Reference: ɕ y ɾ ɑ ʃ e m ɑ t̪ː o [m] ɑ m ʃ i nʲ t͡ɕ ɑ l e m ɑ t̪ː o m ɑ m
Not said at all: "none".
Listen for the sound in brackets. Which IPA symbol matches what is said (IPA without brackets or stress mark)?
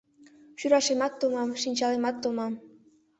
m